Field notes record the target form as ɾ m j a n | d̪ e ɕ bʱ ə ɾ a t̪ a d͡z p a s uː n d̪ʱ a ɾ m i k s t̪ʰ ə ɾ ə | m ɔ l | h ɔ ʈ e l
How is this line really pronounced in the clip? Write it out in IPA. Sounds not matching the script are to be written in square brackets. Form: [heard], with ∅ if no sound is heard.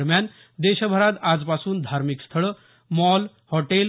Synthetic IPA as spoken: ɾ m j a n | d̪ e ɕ bʱ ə ɾ a t̪ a d͡z p a s uː n d̪ʱ a ɾ m i k s t̪ʰ ə [ɭ] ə | m ɔ l | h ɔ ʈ e l